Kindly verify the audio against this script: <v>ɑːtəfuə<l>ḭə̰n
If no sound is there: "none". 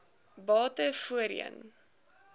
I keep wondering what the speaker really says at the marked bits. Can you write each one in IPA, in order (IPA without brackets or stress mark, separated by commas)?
b, ɾ